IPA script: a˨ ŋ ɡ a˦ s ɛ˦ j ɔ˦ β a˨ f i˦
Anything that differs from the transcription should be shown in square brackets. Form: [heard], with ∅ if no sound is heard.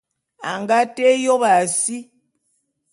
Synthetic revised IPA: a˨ ŋ ɡ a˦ [t] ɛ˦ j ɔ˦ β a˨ [s] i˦